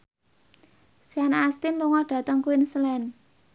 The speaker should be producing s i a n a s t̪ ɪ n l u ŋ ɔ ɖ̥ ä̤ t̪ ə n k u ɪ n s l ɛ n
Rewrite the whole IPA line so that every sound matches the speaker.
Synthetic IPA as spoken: s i a n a s t̪ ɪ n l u ŋ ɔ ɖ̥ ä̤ t̪ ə ŋ k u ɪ n s l ɛ n